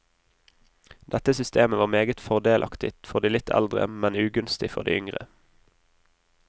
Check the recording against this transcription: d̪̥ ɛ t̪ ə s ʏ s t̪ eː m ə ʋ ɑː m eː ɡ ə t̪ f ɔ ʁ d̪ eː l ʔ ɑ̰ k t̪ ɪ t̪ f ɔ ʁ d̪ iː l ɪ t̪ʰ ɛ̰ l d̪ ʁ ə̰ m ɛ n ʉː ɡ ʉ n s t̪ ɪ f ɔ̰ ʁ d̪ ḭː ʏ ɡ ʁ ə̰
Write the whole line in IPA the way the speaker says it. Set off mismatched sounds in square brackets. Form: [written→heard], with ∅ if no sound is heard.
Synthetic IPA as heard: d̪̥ ɛ t̪ ə s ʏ s t̪ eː m ə ʋ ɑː m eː ɡ ə t̪ f ɔ ʁ d̪ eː l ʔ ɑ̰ k t̪ ɪ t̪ f ɔ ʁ d̪ iː l ɪ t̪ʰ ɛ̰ l d̪ ʁ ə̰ m ɛ n ʉː ɡ ʉ n s t̪ ɪ f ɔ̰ ʁ d̪ ḭː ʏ [ɡ→ŋ] ʁ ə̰

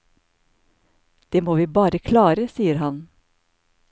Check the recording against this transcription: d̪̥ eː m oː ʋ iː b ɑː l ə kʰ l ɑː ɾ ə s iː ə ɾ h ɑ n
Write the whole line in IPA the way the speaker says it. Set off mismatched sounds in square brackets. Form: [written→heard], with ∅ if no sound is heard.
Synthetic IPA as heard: d̪̥ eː m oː ʋ iː b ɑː [l→ɾ] ə kʰ l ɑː ɾ ə s iː ə ɾ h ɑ n

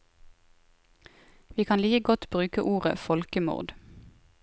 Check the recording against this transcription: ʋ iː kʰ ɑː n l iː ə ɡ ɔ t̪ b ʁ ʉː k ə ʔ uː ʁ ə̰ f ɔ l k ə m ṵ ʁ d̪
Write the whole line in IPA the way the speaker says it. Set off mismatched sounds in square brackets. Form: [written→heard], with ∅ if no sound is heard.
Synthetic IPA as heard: ʋ iː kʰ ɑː n l iː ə ɡ ɔ t̪ b ʁ ʉː k ə ʔ uː ʁ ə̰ f ɔ l k ə m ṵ ʁ d̪

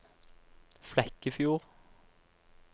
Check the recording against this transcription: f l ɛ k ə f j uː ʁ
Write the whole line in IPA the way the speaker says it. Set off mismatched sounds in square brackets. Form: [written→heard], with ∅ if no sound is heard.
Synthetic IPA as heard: f l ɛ k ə f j uː ʁ

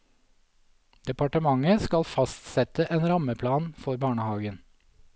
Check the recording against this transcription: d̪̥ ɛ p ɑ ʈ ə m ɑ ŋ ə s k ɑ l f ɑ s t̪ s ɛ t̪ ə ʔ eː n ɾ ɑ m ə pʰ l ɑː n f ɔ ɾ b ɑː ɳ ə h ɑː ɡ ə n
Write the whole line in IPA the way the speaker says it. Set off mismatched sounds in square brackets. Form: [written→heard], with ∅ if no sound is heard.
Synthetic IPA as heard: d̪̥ ɛ p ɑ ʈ ə m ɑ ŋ ə s k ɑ l f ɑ s t̪ s ɛ t̪ ə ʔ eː n ɾ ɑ m ə pʰ l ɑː n f ɔ ɾ b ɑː ɳ ə h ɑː ɡ ə n

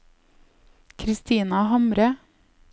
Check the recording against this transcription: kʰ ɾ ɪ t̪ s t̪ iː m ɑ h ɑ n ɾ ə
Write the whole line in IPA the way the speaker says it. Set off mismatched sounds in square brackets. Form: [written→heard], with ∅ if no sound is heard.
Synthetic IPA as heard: kʰ ɾ ɪ [t̪→∅] s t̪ iː [m→n] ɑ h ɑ [n→m] ɾ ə

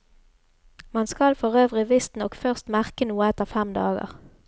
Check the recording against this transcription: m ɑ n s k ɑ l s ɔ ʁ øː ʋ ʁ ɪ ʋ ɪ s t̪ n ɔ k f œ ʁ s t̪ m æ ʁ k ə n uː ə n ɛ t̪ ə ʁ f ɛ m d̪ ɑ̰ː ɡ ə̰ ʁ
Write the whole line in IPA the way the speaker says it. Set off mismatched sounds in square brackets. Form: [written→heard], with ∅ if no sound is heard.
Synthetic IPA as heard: m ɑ n s k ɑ l [s→f] ɔ ʁ øː ʋ ʁ ɪ ʋ ɪ s t̪ n ɔ k f œ ʁ s t̪ m æ ʁ k ə n uː ə [n→∅] ɛ t̪ ə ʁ f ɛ m d̪ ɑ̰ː ɡ ə̰ ʁ

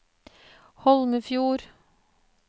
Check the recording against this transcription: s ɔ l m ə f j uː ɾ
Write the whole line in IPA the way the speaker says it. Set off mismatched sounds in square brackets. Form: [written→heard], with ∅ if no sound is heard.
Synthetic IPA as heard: [s→h] ɔ l m ə f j uː ɾ

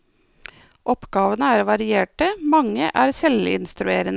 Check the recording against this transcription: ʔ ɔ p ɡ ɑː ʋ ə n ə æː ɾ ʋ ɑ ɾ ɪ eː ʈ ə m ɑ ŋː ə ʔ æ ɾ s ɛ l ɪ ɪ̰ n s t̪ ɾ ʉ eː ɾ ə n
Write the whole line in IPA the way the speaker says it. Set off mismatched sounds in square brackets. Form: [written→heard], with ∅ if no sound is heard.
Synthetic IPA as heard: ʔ ɔ p ɡ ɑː ʋ ə n ə æː ɾ ʋ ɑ ɾ ɪ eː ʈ ə m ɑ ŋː ə ʔ [æ→æː] ɾ s ɛ l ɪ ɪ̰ n s t̪ ɾ ʉ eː ɾ ə n

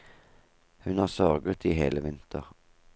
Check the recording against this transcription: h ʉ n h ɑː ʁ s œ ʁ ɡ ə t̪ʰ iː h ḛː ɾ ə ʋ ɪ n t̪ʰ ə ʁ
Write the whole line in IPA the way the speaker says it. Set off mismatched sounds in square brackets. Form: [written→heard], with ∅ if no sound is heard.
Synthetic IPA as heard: h ʉ n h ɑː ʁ s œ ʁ ɡ ə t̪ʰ iː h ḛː [ɾ→l] ə ʋ ɪ n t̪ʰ ə ʁ

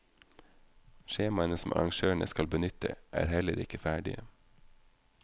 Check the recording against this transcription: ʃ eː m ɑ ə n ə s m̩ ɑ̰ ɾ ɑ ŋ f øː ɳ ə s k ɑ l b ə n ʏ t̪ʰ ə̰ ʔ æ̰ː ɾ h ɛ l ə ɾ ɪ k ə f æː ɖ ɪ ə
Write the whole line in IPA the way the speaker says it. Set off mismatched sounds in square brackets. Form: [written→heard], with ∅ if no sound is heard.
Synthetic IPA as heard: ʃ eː m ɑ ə n ə s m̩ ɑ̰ ɾ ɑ ŋ [f→ʃ] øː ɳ ə s k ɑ l b ə n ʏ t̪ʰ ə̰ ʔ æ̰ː ɾ h ɛ l ə ɾ ɪ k ə f æː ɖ ɪ ə

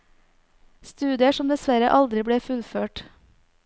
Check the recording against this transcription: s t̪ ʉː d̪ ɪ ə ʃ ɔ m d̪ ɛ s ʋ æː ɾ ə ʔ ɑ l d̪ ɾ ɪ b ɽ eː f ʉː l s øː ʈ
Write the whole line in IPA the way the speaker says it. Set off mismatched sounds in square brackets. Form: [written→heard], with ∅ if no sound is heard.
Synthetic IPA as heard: s t̪ ʉː d̪ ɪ ə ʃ ɔ m d̪ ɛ s ʋ [æː→æ] ɾ ə ʔ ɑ l d̪ ɾ ɪ b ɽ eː f [ʉː→ʉ] l [s→f] øː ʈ

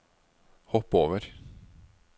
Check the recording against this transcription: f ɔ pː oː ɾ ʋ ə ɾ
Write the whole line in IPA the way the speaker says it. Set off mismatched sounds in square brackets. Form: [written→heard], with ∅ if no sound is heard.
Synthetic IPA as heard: [f→h] ɔ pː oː [ɾ→∅] ʋ ə ɾ

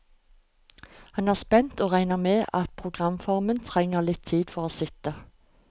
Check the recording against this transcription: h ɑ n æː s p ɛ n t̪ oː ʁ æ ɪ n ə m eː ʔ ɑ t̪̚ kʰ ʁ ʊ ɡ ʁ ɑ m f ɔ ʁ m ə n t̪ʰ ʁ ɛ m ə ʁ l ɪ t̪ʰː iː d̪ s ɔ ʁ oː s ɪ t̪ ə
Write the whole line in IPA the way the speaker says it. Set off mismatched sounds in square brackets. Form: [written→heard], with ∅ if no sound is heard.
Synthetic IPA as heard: h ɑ n æː s p ɛ n t̪ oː ʁ æ ɪ n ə m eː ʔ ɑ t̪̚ [kʰ→pʰ] ʁ ʊ ɡ ʁ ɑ m f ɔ ʁ m ə n t̪ʰ ʁ ɛ [m→ŋ] ə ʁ l ɪ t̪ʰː iː d̪ [s→f] ɔ ʁ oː s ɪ t̪ ə

